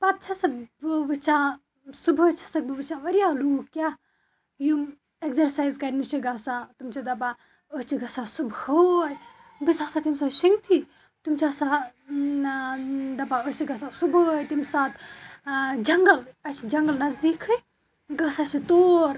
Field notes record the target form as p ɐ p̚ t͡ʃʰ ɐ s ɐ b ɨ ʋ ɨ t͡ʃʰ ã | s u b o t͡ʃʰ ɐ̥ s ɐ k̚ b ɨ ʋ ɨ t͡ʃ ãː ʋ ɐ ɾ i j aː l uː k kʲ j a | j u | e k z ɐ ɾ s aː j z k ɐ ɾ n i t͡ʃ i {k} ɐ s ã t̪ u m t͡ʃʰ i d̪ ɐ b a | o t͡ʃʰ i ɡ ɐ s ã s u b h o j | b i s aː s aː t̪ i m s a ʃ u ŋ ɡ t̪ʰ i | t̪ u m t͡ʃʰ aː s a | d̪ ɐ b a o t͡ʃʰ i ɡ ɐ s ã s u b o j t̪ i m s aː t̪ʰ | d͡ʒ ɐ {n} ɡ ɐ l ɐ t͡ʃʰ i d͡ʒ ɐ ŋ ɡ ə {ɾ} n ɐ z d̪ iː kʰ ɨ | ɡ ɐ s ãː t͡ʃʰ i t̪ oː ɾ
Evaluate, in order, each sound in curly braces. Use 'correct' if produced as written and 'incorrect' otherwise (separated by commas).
incorrect, incorrect, incorrect